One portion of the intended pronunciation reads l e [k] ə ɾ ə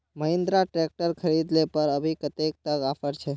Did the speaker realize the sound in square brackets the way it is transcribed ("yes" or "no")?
no